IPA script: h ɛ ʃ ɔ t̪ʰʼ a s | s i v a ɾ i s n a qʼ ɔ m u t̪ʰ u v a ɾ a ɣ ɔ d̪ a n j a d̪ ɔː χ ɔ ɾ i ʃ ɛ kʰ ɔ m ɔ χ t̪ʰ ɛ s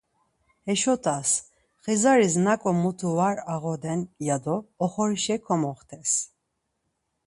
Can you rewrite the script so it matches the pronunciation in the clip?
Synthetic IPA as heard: h ɛ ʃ ɔ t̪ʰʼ a s | χ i z a ɾ i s n a kʼ ɔ m u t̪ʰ u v a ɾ a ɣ ɔ d̪ ɛ n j a d̪ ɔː χ ɔ ɾ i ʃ ɛ kʰ ɔ m ɔ χ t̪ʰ ɛ s